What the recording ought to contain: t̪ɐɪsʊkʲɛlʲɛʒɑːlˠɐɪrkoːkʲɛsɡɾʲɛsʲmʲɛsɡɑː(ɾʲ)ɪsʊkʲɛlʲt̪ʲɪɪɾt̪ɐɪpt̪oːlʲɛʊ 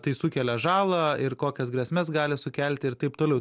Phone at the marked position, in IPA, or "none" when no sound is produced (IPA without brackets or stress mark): lʲ